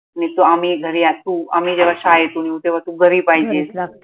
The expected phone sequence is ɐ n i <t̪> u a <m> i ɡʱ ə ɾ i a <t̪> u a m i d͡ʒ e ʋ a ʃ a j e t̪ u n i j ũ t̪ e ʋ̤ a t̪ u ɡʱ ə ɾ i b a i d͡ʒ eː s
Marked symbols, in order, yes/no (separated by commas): yes, yes, yes